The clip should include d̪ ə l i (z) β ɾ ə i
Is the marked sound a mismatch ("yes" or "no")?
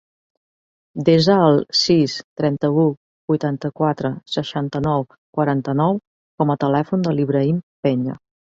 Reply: yes